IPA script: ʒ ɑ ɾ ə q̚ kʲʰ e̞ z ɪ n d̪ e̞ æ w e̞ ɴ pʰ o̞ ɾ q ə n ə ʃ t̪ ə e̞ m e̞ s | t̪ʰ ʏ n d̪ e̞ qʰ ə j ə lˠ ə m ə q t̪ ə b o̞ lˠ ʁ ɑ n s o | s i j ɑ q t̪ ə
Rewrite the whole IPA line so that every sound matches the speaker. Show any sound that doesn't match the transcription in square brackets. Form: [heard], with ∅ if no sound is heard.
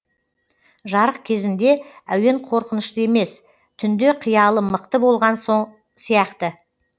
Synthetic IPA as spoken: ʒ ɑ ɾ ə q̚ kʲʰ e̞ z ɪ n d̪ e̞ æ w e̞ ɴ [qʰ] o̞ ɾ q ə n ə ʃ t̪ ə e̞ m e̞ s | t̪ʰ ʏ n d̪ e̞ qʰ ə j [ɑ] lˠ ə m ə q t̪ ə b o̞ lˠ ʁ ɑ n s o | s i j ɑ q t̪ ə